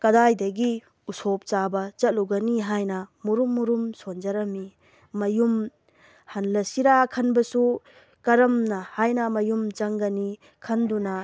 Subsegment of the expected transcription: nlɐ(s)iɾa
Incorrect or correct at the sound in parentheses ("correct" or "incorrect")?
correct